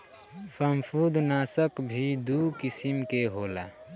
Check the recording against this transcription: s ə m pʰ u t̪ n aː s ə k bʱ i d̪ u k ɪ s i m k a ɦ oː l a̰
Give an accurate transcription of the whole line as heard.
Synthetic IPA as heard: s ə m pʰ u d̪ n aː s ə k bʱ i d̪ u k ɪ s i m k e ɦ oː l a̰